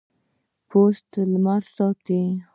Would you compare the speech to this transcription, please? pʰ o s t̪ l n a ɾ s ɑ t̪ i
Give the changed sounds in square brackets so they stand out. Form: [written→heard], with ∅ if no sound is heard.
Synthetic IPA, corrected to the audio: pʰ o s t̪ l [n→m] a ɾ s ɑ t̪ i